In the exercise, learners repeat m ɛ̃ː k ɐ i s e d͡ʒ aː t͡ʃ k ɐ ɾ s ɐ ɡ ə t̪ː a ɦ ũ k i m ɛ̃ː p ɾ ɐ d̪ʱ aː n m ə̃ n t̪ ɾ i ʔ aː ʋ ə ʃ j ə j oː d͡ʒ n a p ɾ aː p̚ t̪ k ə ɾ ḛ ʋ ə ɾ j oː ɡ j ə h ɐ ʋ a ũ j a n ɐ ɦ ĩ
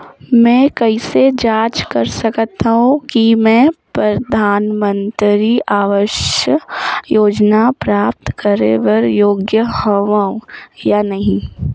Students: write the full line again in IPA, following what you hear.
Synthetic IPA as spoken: m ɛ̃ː k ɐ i s e d͡ʒ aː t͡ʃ k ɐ ɾ s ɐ k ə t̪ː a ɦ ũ k i m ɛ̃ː p ɾ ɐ d̪ʱ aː n m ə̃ n t̪ ɾ i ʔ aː ʋ ə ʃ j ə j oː d͡ʒ n a p ɾ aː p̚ t̪ k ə ɾ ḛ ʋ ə ɾ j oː ɡ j ə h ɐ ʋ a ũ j a n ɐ ɦ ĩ